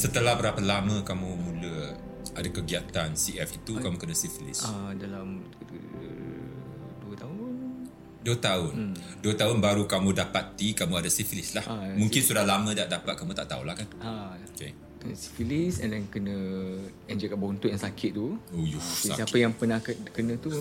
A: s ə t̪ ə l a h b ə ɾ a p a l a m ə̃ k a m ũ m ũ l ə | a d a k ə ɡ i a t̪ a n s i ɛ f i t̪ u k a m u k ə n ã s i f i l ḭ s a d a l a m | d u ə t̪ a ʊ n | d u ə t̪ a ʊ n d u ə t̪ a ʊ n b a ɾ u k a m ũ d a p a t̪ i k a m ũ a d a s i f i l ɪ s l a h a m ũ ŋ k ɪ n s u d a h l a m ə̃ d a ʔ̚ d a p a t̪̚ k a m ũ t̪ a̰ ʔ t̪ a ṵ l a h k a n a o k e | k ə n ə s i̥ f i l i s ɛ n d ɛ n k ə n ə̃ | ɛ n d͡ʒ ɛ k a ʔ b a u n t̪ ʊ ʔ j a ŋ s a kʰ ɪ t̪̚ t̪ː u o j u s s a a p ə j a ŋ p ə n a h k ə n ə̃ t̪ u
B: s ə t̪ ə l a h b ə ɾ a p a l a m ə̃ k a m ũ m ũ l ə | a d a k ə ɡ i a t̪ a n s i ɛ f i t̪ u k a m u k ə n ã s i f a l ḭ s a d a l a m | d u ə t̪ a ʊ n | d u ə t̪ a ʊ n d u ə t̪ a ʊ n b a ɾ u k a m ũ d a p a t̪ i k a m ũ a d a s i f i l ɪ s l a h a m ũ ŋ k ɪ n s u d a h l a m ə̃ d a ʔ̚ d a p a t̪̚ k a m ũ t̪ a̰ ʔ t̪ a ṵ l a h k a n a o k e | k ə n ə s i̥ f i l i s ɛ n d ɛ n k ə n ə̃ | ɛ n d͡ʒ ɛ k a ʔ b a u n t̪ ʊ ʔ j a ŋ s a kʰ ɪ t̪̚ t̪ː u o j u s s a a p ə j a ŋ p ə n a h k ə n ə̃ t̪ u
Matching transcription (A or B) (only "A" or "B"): A